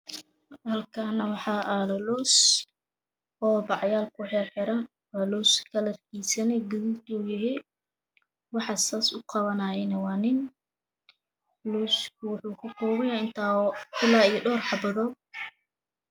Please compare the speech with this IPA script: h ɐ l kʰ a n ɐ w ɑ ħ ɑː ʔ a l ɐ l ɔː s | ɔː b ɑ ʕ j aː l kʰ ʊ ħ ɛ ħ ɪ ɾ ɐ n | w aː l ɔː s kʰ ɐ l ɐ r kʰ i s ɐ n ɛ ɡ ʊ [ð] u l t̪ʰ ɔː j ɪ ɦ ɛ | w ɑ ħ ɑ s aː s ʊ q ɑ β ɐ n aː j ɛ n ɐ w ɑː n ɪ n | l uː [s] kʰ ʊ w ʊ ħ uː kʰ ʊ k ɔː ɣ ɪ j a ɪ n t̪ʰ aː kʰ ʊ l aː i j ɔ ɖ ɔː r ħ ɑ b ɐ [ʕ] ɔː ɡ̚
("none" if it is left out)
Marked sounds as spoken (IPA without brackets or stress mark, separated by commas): ð, s, ð